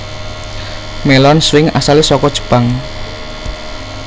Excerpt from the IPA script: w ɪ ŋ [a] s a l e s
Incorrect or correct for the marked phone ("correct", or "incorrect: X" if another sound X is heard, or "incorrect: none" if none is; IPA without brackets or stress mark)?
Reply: correct